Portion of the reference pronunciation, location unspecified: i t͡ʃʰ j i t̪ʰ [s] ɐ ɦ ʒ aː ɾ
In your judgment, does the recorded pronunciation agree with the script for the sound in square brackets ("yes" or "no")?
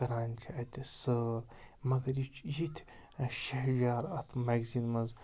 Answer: no